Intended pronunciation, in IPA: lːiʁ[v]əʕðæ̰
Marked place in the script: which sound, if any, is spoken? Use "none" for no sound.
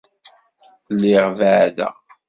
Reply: v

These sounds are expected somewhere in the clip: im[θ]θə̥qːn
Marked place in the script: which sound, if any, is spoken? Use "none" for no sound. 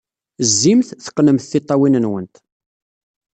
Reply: θ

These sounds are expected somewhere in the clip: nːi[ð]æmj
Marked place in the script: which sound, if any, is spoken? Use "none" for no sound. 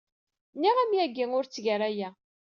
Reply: ʁ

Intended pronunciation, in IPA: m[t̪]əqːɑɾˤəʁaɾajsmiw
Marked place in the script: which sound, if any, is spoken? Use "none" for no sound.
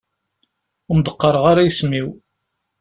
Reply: d̪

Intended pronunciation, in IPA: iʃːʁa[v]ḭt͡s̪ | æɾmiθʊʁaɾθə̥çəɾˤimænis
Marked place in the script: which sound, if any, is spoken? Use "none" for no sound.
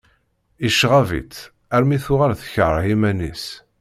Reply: v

